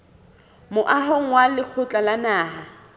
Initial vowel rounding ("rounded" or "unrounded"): rounded